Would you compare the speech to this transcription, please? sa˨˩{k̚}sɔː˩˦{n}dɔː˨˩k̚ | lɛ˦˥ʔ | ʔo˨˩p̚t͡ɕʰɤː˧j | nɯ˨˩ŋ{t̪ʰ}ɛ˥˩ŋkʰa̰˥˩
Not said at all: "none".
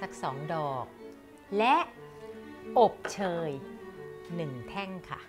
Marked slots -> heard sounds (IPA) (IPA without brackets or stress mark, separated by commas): k̚, ŋ, t̪ʰ